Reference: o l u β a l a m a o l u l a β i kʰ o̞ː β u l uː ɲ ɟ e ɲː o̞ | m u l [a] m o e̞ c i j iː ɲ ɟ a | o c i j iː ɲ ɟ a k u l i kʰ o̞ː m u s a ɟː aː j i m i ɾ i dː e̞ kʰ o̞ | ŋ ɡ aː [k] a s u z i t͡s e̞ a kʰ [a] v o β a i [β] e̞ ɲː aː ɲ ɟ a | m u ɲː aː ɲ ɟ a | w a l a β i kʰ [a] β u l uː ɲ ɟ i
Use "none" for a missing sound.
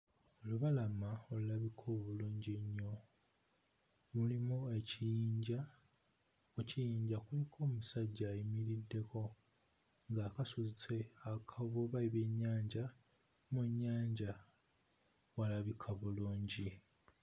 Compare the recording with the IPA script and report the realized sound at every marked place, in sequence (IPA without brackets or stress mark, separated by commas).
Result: i, k, a, β, a